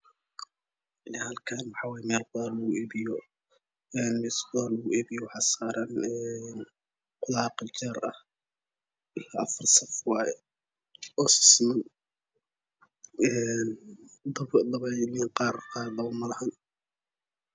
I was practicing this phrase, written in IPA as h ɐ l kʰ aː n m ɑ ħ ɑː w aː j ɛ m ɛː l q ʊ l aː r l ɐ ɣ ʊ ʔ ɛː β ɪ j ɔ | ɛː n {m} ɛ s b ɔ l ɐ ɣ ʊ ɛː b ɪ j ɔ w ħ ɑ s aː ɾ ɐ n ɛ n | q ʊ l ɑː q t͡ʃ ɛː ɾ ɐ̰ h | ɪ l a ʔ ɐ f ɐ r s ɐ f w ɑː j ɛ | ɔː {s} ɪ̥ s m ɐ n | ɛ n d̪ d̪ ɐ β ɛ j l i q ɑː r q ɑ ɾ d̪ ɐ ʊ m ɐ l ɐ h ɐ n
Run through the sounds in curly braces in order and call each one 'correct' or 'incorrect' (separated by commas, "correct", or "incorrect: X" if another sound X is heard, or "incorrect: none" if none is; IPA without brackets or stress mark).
correct, correct